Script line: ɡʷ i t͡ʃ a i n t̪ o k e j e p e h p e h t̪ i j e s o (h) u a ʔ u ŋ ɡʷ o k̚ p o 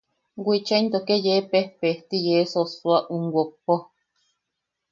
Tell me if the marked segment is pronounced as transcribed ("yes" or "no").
no